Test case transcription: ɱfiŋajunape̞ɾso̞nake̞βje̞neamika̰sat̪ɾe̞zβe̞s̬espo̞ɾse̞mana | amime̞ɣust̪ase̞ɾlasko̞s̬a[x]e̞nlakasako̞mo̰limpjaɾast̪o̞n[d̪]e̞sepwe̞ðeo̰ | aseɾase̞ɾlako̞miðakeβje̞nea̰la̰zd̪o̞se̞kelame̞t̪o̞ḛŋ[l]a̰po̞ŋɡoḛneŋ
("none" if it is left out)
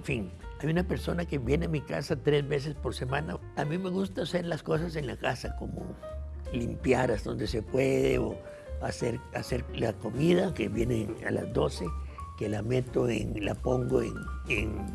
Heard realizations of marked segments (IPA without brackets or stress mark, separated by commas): s, d̪, l